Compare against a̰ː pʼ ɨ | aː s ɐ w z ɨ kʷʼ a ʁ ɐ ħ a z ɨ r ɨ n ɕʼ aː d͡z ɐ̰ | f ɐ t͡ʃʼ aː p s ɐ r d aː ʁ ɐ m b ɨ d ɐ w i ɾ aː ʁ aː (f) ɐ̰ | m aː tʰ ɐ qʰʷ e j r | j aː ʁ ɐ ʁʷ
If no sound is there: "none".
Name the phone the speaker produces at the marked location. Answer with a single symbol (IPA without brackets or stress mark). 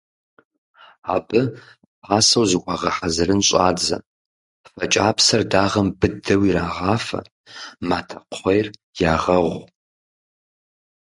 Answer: f